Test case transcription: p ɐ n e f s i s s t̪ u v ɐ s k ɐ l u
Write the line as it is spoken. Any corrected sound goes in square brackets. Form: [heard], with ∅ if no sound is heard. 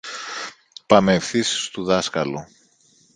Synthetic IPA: p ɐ [m] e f [θ] i s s t̪ u [ð] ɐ s k ɐ l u